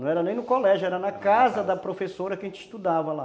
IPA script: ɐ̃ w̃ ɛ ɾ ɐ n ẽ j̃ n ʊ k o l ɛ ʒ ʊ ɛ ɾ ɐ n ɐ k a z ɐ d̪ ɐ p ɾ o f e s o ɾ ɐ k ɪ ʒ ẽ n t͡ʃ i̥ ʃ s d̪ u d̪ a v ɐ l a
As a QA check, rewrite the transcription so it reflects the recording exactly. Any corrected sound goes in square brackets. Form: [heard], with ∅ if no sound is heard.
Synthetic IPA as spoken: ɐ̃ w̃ ɛ ɾ ɐ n ẽ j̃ n ʊ k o l ɛ ʒ ʊ ɛ ɾ ɐ n ɐ k a z ɐ d̪ ɐ p ɾ o f e s o ɾ ɐ k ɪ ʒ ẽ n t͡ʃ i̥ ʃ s [t̪] u d̪ a v ɐ l a